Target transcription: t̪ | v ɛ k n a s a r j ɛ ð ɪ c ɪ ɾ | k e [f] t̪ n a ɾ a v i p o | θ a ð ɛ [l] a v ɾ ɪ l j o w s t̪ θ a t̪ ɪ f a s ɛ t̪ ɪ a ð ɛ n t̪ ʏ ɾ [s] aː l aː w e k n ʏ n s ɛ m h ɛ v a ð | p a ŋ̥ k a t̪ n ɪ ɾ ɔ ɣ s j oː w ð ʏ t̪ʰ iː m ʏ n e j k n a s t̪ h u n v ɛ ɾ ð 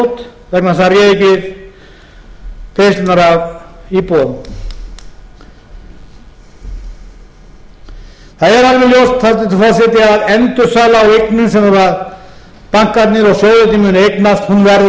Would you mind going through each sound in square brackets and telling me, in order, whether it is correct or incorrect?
incorrect, incorrect, correct

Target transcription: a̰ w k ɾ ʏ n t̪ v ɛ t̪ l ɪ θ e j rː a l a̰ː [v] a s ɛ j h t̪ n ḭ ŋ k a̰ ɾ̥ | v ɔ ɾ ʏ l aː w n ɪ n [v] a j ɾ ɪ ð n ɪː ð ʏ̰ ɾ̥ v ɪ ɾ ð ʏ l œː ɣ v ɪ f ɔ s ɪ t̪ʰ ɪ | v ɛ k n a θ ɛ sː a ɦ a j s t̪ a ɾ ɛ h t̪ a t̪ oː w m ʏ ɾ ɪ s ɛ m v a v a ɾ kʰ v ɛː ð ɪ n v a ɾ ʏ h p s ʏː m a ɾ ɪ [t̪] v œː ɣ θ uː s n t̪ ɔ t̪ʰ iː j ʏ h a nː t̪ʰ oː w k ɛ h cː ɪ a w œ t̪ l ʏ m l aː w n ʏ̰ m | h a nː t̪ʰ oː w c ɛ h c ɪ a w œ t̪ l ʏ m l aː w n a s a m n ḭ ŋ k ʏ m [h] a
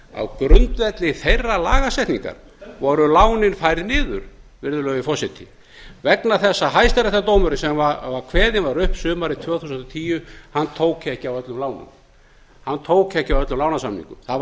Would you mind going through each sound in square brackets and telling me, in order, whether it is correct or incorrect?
incorrect, incorrect, incorrect, incorrect

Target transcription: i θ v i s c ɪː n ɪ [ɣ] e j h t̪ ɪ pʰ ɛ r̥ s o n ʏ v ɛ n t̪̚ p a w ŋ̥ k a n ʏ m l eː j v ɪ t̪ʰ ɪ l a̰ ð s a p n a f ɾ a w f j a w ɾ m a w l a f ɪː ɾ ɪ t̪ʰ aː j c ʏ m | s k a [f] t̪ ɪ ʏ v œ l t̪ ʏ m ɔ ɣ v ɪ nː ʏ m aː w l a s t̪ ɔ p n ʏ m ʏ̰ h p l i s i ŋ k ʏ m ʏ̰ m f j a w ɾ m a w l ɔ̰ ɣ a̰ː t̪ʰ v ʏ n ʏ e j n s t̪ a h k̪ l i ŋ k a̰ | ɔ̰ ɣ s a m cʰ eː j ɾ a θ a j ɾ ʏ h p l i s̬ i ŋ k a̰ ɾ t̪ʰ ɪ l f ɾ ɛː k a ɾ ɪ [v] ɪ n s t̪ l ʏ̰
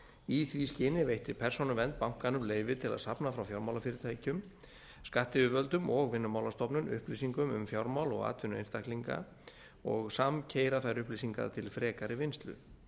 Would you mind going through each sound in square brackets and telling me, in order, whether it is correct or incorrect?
incorrect, incorrect, correct

